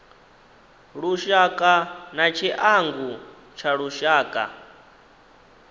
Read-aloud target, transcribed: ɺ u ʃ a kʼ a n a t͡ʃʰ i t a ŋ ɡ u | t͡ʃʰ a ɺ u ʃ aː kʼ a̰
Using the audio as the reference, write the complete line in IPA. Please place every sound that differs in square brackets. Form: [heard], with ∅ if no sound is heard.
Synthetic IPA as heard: ɺ u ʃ a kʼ a n a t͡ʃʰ i [ʔ] a ŋ ɡ u | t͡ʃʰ a ɺ u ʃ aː kʼ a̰